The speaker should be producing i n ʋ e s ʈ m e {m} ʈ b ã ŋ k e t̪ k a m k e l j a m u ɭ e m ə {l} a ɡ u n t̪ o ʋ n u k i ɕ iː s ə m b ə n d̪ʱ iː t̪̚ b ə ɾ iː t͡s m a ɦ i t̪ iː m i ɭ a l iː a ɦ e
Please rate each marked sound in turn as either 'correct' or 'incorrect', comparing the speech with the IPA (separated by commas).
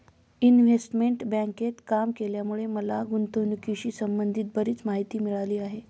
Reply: incorrect, correct